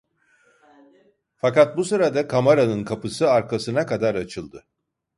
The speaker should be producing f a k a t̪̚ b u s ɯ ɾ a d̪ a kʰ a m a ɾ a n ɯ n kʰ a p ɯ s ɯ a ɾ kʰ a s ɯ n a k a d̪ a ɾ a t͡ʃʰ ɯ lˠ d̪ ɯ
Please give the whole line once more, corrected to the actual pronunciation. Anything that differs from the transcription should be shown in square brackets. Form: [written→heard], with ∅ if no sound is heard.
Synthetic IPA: f a k a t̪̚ b u s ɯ ɾ a d̪ a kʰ a m a ɾ a n ɯ n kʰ a p ɯ s ɯ a ɾ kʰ a s ɯ n a k a d̪ a ɾ a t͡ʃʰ ɯ lˠ d̪ ɯ